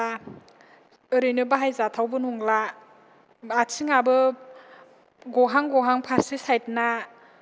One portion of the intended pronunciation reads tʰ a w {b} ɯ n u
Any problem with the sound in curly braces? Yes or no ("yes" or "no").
no